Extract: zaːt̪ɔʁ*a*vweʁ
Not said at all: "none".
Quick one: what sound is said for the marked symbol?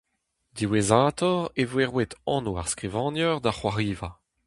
e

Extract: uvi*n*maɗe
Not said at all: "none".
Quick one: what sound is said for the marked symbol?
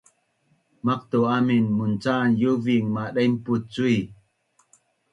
ŋ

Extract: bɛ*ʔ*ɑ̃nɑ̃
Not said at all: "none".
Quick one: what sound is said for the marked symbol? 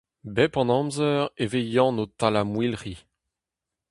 p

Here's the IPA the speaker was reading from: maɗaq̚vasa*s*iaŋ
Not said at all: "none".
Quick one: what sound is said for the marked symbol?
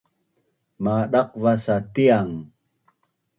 t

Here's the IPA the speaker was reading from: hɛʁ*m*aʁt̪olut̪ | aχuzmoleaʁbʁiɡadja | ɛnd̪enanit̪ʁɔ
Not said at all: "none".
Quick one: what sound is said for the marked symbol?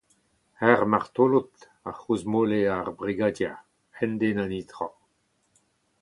m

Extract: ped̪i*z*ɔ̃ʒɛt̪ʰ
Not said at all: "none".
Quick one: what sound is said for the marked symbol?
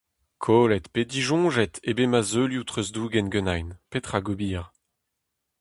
ʒ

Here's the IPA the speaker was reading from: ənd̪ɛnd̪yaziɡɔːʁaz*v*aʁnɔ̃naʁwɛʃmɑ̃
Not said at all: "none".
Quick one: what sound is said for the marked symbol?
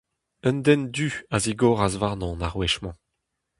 v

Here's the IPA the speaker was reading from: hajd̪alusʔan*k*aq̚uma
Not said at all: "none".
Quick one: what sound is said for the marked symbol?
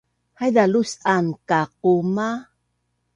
k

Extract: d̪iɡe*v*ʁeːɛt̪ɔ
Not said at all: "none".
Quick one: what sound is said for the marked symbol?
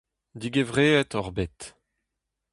v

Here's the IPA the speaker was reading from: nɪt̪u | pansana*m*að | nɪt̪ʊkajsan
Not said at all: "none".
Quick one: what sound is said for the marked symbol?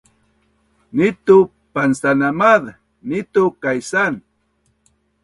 m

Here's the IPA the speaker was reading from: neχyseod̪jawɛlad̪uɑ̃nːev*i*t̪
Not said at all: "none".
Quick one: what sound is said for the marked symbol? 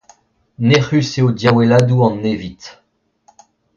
i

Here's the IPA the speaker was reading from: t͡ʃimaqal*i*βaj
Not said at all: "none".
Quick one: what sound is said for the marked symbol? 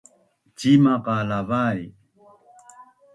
a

